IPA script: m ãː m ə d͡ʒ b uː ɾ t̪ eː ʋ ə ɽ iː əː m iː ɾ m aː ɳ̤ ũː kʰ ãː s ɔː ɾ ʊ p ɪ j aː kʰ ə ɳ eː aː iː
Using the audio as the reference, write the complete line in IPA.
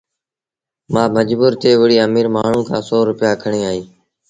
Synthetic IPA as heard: m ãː m ə d͡ʒ b uː ɾ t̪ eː ʋ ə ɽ iː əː m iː ɾ m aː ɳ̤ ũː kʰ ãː s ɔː ɾ ʊ p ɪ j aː kʰ ə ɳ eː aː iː